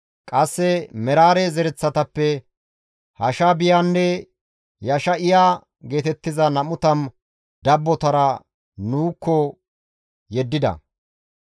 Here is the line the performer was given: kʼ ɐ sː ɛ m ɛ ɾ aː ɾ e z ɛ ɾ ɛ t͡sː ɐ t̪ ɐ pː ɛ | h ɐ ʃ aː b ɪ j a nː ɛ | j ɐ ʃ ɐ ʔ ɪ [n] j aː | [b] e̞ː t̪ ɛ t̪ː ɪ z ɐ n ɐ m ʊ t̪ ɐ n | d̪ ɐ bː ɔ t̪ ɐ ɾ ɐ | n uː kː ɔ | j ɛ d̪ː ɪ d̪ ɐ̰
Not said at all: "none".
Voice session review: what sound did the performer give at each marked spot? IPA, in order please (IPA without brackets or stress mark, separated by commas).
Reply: none, ɡ